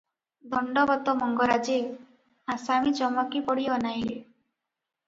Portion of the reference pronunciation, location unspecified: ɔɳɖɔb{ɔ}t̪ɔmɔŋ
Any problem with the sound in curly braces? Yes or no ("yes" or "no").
no